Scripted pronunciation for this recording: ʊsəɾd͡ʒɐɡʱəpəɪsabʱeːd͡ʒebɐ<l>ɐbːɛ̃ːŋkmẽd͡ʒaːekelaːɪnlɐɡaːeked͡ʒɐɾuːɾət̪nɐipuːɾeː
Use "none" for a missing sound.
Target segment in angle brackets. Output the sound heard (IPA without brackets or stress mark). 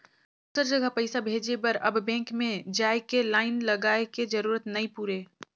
ɾ